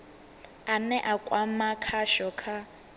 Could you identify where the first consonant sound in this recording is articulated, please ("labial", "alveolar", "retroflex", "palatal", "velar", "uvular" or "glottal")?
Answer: alveolar